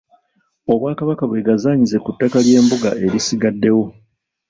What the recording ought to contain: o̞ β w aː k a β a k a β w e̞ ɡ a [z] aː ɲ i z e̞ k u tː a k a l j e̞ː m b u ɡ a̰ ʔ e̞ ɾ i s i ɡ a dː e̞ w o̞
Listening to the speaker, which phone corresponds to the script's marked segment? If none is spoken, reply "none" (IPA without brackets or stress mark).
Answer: z